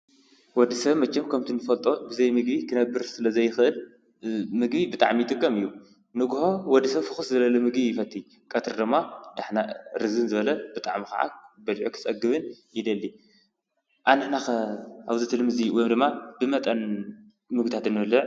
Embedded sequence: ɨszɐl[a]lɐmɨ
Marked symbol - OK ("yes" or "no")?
no